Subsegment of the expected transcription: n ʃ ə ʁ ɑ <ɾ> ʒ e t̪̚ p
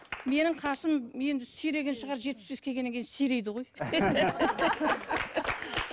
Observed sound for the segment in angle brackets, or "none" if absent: ɾ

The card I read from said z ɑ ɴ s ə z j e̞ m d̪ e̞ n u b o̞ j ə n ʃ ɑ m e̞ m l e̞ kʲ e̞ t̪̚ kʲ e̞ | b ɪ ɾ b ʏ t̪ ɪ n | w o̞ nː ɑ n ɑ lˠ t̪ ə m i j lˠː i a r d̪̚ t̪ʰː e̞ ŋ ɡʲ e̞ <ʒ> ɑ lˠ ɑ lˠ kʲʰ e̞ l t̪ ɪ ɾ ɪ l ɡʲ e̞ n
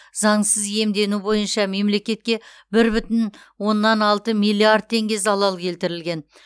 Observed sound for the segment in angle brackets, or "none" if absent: z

